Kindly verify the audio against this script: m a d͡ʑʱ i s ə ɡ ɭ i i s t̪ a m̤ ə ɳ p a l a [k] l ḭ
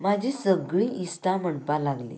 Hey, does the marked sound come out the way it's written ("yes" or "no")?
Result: no